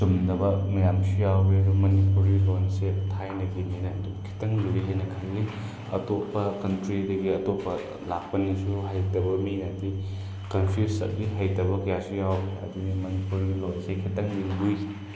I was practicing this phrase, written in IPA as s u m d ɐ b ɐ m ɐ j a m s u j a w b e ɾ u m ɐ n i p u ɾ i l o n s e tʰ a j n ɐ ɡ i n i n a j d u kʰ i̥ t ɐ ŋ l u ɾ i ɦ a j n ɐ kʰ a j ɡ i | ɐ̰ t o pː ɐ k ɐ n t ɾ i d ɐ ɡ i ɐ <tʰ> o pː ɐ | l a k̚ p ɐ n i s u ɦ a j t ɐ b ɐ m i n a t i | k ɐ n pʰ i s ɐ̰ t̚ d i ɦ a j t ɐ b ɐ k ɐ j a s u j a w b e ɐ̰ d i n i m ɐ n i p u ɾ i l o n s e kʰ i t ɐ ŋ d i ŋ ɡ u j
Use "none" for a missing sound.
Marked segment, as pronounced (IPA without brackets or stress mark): t